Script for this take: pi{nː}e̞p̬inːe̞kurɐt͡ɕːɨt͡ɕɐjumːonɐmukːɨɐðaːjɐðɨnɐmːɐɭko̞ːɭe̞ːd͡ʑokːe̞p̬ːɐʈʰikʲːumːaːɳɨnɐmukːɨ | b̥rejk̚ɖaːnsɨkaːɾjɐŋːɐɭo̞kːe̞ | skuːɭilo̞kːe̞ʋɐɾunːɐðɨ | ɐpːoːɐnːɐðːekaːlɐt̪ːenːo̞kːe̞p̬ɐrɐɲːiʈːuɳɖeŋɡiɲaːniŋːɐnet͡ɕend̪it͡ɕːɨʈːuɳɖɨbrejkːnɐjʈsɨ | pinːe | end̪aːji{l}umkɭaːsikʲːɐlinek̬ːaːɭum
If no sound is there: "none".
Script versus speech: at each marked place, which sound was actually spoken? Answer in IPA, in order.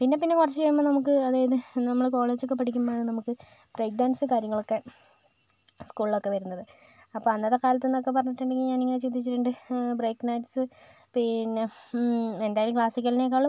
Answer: nː, l

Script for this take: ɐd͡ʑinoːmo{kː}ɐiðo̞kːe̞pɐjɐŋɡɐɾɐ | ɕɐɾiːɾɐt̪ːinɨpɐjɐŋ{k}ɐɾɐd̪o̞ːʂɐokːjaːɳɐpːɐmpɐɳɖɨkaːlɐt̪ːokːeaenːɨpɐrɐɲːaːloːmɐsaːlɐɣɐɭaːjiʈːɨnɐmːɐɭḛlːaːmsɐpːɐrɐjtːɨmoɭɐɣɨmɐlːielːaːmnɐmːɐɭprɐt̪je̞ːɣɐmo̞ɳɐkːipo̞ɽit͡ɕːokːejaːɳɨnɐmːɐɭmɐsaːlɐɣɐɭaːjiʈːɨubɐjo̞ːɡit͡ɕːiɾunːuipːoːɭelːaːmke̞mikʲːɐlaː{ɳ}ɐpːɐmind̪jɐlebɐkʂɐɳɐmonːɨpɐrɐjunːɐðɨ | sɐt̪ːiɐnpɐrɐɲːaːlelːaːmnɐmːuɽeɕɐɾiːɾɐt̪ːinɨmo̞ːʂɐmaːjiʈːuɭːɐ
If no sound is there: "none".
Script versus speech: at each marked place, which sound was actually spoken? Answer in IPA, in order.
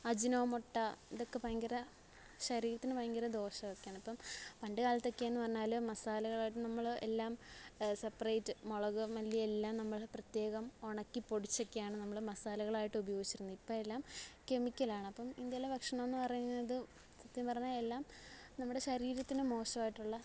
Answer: ʈː, ɡ, ɳ

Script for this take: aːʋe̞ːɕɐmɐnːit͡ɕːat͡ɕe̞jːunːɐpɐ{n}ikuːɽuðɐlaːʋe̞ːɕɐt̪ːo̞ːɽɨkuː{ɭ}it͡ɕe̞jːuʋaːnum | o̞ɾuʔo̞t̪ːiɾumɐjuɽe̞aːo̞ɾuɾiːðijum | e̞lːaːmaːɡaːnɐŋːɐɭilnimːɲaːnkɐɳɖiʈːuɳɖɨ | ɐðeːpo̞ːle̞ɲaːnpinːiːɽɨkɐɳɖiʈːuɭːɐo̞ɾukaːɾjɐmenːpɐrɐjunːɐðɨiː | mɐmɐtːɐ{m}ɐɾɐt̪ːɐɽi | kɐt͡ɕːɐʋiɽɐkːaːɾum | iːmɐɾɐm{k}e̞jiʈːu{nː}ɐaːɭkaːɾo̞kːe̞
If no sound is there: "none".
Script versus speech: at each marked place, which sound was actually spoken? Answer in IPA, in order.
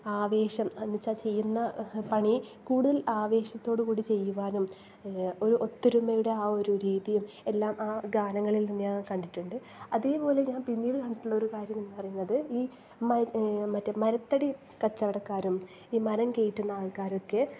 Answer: ɳ, ɽ, m, k, nː

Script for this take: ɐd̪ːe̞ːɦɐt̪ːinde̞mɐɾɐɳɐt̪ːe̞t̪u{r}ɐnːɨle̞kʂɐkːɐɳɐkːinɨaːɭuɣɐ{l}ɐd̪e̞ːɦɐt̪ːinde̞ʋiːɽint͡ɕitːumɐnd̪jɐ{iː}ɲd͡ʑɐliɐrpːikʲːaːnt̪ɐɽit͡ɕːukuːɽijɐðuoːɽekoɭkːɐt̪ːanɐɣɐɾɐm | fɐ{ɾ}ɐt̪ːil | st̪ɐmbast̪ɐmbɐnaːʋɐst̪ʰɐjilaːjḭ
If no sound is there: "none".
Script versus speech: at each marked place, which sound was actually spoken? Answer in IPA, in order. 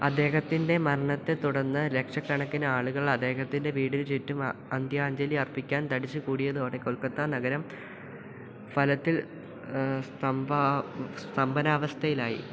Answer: ɽ, ɭ, aː, l

